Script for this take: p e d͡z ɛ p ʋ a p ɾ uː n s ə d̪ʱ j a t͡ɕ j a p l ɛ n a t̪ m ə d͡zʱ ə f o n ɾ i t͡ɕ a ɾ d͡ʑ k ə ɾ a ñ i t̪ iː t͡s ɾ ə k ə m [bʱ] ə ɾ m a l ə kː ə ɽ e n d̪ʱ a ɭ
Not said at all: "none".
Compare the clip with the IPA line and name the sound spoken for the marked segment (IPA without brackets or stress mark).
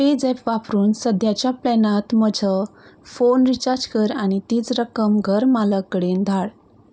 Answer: ɡʱ